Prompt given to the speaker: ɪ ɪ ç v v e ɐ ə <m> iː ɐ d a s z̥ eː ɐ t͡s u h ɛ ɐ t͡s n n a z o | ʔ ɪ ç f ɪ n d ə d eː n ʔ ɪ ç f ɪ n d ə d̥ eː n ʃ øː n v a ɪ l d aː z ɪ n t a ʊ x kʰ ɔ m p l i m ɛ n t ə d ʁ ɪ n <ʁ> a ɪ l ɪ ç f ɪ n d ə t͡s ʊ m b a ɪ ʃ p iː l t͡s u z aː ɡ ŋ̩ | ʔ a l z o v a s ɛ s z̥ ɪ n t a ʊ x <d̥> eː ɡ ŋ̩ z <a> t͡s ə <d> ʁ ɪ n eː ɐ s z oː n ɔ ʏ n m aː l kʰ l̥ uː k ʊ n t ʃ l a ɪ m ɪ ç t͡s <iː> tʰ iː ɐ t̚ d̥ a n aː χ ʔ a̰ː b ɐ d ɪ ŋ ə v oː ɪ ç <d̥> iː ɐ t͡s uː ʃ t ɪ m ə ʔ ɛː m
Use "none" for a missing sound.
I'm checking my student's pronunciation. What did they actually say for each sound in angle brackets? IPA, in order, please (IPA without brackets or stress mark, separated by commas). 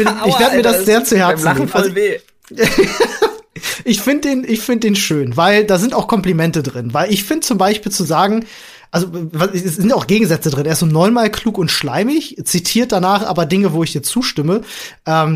m, v, ɡ̥, ɛ, d, i, d̥